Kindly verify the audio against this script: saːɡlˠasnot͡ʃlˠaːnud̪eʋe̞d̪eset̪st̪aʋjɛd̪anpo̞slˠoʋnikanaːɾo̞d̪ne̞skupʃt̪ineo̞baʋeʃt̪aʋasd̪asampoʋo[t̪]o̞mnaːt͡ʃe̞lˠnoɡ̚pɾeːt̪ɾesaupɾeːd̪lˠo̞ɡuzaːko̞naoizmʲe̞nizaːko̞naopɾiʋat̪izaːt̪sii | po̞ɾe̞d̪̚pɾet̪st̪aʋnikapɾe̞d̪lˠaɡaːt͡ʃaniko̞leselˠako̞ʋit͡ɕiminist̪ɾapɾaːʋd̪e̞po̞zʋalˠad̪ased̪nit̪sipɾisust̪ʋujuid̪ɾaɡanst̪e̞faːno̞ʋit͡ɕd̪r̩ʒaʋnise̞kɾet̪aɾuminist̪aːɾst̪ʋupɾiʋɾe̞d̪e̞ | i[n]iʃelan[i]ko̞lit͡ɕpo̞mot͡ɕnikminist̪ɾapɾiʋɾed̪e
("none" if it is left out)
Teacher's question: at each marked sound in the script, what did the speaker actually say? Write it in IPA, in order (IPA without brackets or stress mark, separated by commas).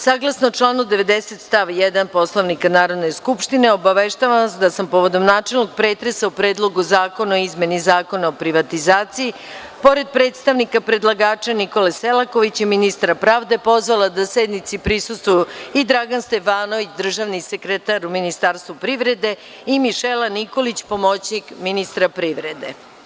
d̪, m, i